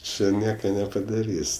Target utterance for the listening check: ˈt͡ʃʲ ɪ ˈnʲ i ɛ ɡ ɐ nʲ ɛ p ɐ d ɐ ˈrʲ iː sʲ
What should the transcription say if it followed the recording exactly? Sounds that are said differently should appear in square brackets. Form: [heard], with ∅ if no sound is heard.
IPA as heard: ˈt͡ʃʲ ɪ ˈnʲ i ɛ [k] ɐ nʲ ɛ p ɐ d ɐ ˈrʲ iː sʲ